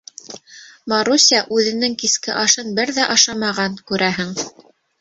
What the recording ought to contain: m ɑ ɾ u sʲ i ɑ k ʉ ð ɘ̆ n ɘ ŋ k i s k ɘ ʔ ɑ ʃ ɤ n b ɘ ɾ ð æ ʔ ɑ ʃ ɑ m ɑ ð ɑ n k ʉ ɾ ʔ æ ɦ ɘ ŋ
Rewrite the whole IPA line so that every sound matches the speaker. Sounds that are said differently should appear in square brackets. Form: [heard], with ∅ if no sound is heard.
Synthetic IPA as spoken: m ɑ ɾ u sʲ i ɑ [ʔ] ʉ ð ɘ̆ n ɘ ŋ k i s k ɘ ʔ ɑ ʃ ɤ n b ɘ ɾ ð æ ʔ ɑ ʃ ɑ m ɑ [ʁ] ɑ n k ʉ ɾ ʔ æ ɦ ɘ ŋ